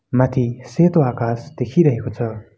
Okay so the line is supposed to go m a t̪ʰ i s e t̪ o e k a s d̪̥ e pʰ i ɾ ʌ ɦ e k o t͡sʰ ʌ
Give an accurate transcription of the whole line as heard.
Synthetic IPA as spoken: m a t̪ʰ i s e t̪ o a k a s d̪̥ e kʰ i ɾ ʌ ɦ e k o t͡sʰ ʌ